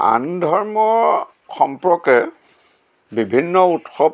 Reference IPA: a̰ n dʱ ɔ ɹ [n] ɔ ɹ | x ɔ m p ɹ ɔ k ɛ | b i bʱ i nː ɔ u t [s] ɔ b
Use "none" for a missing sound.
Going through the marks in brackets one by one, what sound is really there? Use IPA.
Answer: m, x

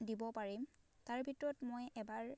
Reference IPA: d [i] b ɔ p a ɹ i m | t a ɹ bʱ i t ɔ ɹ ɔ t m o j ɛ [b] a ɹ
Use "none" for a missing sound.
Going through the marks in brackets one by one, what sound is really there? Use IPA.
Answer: i, b

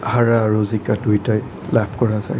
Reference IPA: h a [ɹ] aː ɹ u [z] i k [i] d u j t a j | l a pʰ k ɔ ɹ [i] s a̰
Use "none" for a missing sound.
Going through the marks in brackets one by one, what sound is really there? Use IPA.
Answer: ɹ, z, a, a

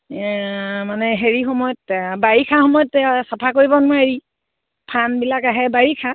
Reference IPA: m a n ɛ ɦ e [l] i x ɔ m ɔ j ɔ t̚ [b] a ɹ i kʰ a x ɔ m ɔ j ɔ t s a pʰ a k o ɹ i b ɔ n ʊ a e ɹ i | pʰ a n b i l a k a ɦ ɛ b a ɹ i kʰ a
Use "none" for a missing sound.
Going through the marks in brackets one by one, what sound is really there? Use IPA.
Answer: ɹ, b

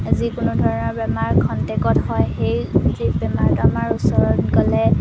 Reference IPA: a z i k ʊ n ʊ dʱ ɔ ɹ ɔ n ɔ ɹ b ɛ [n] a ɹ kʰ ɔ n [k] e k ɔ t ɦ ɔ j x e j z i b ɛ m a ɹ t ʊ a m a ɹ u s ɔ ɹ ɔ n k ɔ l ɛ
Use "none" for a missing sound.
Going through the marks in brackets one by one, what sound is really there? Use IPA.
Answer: m, t

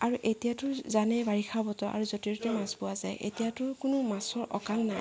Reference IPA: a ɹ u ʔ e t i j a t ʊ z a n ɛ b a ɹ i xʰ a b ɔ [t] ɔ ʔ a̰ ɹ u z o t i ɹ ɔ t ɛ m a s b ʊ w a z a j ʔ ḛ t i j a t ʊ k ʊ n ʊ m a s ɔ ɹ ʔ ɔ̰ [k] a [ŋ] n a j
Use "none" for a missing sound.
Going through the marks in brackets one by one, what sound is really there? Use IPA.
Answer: t, k, ŋ

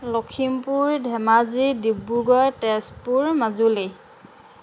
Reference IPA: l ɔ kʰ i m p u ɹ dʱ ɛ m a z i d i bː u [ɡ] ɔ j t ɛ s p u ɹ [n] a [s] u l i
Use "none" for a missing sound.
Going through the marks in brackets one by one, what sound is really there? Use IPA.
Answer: ɡ, m, z

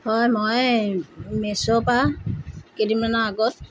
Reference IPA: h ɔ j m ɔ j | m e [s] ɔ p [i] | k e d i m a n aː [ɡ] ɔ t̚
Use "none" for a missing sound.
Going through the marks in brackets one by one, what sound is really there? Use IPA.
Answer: s, a, ɡ

